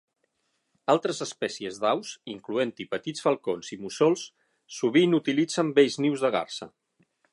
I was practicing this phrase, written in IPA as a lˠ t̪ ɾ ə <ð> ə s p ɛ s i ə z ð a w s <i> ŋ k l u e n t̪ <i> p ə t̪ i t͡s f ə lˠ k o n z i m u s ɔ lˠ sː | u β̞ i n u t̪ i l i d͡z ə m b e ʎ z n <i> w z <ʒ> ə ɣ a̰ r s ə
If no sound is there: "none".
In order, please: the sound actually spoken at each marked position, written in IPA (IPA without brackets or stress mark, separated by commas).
z, i, i, i, ð